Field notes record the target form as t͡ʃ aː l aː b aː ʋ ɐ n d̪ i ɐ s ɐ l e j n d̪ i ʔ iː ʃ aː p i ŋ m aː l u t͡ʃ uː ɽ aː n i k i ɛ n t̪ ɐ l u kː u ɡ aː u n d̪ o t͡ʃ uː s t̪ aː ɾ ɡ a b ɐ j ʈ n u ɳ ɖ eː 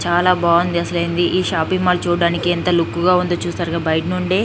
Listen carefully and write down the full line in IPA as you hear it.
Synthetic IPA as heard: t͡ʃ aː l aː b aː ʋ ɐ n d̪ i ɐ s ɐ l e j n d̪ i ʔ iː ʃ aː p i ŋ m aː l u t͡ʃ uː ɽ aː n i k i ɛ n t̪ ɐ l u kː u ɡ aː u n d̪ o t͡ʃ uː s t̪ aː ɾ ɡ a b ɐ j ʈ n u ɳ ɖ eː